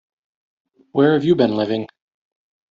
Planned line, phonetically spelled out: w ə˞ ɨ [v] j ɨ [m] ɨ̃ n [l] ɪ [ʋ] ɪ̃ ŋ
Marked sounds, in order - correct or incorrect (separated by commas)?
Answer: correct, incorrect, correct, incorrect